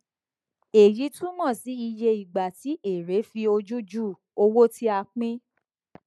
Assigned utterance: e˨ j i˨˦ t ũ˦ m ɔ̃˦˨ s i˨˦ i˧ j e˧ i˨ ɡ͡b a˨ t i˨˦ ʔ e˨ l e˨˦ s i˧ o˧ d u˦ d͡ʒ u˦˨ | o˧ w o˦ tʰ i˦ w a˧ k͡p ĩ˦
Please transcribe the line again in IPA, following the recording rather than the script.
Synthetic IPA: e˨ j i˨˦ t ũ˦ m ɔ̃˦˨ s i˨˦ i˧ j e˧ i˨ ɡ͡b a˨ t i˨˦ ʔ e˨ ɾ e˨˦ f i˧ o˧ d͡ʒ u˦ d͡ʒ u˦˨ | o˧ w o˦ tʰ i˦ a˧ k͡p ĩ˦